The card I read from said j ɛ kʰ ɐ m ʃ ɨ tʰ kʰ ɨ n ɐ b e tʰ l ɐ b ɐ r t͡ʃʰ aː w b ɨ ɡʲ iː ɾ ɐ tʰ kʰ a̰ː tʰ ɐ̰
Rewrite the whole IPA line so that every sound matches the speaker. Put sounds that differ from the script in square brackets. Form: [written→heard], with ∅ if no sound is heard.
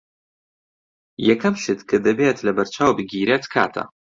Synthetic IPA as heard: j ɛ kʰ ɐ m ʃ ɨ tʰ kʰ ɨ [n→d] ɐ b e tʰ l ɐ b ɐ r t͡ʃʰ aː w b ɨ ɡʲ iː ɾ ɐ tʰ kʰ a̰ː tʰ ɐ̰